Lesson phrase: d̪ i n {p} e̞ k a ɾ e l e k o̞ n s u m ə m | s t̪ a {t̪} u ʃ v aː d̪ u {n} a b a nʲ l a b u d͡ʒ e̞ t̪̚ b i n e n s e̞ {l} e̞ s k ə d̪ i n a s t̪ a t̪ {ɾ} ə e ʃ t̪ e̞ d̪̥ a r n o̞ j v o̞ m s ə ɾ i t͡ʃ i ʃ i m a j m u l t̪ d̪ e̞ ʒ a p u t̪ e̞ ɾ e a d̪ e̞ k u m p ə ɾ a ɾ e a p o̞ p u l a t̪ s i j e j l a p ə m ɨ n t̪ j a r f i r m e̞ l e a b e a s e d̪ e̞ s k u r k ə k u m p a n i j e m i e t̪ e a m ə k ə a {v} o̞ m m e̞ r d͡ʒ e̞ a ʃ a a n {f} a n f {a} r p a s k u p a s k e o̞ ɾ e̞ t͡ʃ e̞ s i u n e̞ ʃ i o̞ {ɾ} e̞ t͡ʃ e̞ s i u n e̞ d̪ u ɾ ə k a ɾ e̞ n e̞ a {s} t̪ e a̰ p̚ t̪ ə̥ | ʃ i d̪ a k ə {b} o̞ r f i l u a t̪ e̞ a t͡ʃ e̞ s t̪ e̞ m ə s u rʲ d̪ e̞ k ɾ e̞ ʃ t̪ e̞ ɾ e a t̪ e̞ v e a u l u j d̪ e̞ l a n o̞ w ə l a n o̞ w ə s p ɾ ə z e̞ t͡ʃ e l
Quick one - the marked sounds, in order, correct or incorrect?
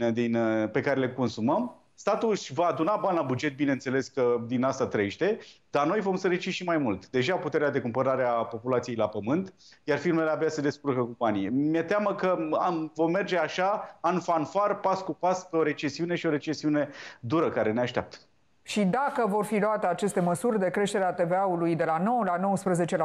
correct, correct, correct, correct, correct, correct, correct, correct, correct, incorrect: ʃ, incorrect: v

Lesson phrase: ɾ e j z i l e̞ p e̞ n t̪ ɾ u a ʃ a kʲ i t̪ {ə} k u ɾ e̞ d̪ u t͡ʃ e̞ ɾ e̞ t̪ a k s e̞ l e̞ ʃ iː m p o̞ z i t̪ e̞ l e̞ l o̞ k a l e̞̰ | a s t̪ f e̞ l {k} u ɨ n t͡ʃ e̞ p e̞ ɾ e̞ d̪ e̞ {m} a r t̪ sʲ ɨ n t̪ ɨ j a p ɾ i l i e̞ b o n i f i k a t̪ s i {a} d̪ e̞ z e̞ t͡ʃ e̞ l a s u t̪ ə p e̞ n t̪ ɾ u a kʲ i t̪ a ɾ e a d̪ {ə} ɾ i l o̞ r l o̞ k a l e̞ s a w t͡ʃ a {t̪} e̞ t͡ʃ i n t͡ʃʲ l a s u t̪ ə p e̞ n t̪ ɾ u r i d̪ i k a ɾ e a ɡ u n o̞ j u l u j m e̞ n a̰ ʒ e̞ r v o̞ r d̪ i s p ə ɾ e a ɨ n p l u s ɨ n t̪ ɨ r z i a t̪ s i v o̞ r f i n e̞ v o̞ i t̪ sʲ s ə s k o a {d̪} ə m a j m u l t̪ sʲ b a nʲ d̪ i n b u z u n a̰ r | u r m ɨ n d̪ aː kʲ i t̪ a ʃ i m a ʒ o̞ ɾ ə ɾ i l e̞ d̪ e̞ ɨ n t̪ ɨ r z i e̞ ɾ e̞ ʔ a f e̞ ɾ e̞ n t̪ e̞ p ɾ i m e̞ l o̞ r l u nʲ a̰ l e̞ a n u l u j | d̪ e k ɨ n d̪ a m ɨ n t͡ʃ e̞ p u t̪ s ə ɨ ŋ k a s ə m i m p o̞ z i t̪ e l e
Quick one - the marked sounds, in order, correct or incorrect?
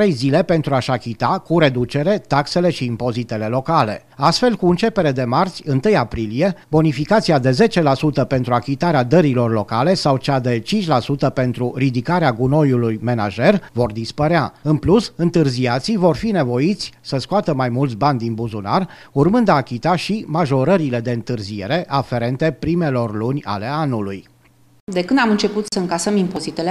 incorrect: a, correct, correct, correct, correct, incorrect: d̪, incorrect: t̪

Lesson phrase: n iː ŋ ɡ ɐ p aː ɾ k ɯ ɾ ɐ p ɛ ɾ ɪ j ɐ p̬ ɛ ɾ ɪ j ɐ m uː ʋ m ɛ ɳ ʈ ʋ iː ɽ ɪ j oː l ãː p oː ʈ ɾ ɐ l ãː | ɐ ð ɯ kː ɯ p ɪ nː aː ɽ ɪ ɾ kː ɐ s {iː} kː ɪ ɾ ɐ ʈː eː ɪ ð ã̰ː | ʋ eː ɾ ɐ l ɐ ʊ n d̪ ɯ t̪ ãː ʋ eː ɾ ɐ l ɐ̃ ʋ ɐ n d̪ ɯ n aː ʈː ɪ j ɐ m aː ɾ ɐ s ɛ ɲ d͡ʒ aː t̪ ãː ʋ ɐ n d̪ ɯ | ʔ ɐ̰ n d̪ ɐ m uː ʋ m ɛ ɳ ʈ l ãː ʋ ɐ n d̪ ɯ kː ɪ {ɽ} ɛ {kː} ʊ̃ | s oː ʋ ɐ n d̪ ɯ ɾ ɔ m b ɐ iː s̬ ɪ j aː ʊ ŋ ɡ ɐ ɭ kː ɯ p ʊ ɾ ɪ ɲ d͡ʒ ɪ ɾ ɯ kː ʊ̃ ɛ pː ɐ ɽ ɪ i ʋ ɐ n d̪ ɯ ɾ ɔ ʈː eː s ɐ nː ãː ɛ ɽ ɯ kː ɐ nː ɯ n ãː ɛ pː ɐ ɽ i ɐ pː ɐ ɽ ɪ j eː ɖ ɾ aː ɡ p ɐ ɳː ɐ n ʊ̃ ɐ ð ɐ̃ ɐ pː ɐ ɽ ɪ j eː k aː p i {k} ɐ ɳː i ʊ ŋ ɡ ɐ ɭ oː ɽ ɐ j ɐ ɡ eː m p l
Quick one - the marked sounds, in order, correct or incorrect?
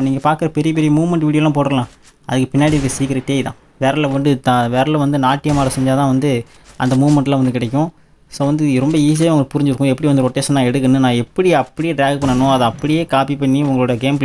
correct, correct, correct, incorrect: p

